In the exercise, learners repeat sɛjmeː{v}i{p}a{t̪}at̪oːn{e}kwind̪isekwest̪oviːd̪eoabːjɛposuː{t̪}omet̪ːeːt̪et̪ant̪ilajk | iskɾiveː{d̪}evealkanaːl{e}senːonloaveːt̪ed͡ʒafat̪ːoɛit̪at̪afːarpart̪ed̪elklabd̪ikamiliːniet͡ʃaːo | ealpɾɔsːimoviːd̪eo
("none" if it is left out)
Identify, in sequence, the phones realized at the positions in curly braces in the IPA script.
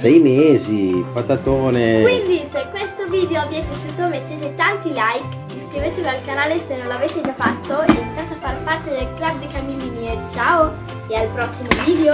z, p, t̪, e, t̪, t̪, e

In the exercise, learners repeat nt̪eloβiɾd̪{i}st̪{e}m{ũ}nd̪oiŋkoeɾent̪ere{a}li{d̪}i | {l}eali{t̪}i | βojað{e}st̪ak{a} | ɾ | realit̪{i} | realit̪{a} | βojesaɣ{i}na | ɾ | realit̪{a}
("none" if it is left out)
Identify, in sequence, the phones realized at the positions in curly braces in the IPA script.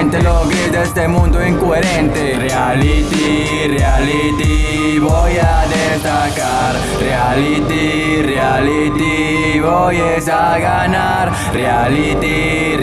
e, e, ũ, a, t̪, r, t̪, e, a, i, i, a, i

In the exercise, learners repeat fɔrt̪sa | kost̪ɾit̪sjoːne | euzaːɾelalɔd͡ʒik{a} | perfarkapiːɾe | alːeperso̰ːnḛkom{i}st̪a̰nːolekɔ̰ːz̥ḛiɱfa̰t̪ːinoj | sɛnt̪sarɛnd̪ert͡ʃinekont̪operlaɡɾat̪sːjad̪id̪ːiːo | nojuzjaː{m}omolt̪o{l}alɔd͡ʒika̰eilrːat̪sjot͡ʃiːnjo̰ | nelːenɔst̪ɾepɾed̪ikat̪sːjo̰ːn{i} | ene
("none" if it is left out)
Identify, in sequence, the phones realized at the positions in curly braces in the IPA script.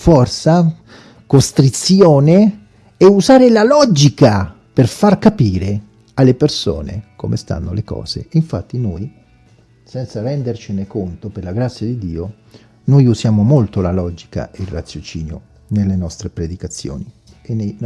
a, e, m, l, i

